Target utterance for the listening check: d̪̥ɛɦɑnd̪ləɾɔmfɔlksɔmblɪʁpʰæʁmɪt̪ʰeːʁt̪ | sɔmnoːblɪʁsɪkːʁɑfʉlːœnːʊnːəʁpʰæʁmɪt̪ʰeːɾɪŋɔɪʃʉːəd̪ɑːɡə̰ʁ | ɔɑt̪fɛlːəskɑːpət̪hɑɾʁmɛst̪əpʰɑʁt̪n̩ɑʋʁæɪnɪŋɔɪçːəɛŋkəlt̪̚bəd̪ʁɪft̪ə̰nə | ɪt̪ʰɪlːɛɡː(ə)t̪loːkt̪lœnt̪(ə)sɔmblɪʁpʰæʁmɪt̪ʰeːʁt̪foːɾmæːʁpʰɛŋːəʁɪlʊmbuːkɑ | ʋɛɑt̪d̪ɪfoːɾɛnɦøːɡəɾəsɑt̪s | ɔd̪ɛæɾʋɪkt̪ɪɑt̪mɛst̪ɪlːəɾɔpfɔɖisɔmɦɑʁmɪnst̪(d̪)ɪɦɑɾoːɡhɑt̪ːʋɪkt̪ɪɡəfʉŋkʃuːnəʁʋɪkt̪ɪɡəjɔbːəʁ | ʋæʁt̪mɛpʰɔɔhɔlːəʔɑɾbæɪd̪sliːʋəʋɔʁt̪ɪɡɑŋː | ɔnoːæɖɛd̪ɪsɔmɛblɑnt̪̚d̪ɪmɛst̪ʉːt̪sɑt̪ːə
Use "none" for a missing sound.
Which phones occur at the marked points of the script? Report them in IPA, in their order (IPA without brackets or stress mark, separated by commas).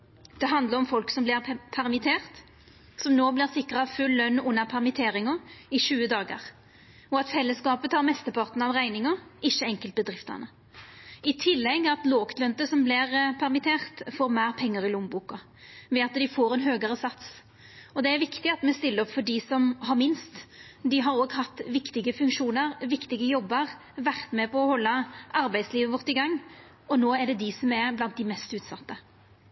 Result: ɑ, ə, d̪